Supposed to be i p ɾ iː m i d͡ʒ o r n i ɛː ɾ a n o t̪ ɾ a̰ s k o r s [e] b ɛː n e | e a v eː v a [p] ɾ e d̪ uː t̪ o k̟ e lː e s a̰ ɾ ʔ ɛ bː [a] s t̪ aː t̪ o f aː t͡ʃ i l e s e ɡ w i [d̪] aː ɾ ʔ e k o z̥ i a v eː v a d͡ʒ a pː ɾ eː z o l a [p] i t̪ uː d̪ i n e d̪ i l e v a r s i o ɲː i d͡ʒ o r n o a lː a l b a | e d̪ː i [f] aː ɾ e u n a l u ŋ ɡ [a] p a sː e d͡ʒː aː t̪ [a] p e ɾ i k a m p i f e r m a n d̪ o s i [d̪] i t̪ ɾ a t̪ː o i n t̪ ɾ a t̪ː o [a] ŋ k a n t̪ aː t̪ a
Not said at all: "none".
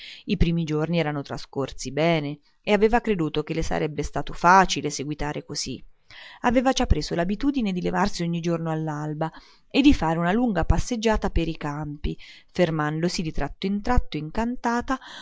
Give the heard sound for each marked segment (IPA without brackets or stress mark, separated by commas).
i, k, e, t̪, b, f, a, a, d̪, i